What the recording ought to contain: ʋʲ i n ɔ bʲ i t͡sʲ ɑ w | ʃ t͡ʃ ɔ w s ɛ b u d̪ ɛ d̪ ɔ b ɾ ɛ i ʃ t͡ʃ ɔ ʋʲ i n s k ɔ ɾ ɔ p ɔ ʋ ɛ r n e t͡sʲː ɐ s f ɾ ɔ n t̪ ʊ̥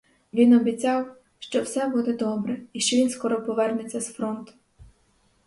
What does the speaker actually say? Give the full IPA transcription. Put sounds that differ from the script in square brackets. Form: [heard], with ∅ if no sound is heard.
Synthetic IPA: ʋʲ i n ɔ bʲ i t͡sʲ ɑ w | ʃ t͡ʃ ɔ w s ɛ b u d̪ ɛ d̪ ɔ b ɾ ɛ i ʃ t͡ʃ ɔ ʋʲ i n s k ɔ ɾ ɔ p ɔ ʋ ɛ r n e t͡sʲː ɐ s f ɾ ɔ n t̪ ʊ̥